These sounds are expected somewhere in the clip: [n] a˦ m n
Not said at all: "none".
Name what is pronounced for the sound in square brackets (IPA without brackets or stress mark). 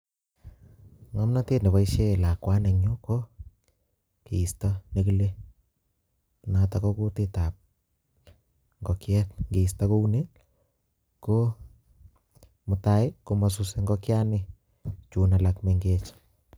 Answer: ŋ